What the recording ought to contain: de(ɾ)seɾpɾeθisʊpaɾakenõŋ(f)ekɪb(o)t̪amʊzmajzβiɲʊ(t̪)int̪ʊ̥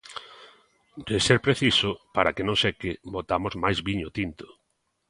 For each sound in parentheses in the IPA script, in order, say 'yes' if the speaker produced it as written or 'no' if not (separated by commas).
no, no, yes, yes